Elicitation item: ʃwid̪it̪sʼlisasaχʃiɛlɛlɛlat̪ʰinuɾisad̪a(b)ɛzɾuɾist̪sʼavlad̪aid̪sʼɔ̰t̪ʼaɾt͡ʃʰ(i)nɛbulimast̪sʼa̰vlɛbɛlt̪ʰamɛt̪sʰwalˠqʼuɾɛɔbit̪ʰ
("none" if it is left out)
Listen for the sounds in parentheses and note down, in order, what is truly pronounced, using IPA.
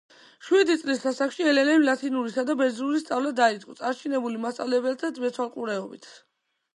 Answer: b, i

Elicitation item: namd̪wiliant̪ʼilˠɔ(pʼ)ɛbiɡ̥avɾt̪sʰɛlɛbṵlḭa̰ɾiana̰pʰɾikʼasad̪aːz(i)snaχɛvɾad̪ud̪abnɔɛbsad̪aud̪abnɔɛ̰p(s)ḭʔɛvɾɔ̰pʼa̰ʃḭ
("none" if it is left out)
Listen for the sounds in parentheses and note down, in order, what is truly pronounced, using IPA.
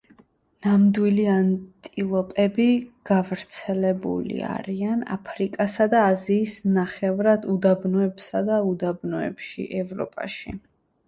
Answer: pʼ, iː, ʃ

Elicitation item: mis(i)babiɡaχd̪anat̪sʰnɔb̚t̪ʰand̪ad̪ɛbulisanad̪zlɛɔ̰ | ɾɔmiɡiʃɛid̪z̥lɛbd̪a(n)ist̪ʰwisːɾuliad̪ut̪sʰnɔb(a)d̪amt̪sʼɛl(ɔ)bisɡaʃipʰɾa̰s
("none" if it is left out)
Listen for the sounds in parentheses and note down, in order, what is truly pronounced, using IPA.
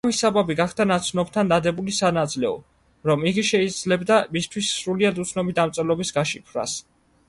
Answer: a, m, i, ɔ

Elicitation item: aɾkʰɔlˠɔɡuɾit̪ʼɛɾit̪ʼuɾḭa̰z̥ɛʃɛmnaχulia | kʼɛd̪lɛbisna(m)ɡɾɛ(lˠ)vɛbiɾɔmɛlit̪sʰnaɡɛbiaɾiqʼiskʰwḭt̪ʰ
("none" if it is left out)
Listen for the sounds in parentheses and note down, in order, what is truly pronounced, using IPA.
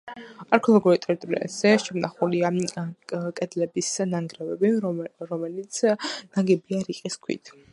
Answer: ŋ, none

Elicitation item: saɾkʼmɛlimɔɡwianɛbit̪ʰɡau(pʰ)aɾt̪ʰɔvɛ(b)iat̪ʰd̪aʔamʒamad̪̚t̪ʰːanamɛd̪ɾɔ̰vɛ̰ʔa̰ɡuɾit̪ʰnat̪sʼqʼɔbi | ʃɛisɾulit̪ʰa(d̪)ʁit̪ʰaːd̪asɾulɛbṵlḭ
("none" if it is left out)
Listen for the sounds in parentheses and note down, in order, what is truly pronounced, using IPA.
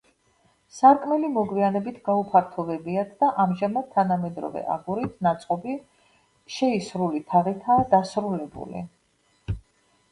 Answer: pʰ, b, none

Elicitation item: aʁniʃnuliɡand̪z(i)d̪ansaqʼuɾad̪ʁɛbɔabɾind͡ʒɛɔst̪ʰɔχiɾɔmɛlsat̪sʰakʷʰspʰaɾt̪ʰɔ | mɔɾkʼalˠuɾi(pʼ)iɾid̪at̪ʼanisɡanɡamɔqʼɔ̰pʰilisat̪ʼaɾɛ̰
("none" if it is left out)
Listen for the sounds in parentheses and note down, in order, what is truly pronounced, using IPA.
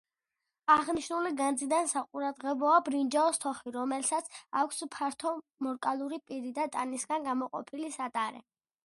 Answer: i, pʼ

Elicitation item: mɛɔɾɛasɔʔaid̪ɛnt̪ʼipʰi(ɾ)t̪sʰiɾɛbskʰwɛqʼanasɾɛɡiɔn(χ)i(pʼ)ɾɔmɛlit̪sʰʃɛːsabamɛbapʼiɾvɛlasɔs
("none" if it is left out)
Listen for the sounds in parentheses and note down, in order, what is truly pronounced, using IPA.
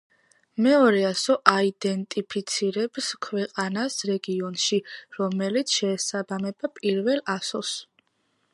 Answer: none, ʃ, none

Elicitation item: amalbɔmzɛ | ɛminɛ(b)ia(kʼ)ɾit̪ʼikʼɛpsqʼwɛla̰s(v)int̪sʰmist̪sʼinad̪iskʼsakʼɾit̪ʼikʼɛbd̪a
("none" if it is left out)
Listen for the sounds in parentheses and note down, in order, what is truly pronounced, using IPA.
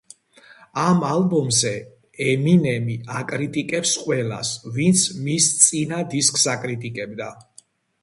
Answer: m, kʼ, v

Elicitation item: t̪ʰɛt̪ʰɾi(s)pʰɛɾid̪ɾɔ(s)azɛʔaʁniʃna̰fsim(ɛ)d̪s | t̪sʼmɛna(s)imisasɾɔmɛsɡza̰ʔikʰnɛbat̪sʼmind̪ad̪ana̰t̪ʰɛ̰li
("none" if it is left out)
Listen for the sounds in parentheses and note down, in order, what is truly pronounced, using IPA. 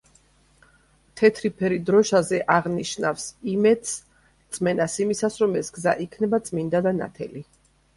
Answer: none, ʃ, ɛ, s

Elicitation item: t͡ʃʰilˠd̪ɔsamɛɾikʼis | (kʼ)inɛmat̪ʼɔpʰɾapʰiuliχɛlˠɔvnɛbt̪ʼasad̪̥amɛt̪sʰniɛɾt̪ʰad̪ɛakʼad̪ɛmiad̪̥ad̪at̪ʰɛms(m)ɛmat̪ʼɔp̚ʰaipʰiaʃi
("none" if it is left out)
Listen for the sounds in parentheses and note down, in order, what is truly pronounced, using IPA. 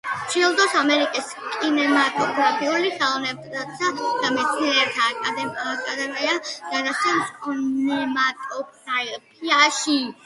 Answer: kʼ, n

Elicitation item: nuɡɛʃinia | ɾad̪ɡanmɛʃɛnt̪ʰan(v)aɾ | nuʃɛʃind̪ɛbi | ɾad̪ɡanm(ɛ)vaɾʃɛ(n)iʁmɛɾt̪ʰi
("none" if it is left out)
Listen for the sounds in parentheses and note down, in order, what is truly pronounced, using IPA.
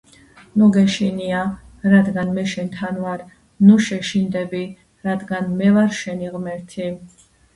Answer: v, ɛ, n

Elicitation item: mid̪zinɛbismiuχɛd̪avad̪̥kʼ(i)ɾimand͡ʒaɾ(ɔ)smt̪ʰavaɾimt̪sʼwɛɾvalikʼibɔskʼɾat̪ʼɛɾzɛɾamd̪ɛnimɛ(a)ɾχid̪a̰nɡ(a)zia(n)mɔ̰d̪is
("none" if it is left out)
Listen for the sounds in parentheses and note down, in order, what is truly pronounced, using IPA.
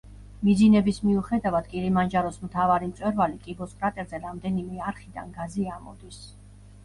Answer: i, ɔ, a, a, none

